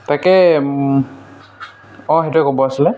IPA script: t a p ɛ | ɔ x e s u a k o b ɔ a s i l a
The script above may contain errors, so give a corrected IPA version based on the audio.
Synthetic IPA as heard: t a k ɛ | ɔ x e t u ɛ k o b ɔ a s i l ɛ